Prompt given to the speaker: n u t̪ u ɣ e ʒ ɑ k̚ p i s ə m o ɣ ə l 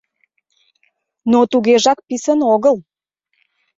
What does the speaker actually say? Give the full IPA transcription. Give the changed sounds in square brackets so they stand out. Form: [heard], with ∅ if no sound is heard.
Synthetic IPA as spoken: n [o] t̪ u ɣ e ʒ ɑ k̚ p i s ə [n] o ɣ ə l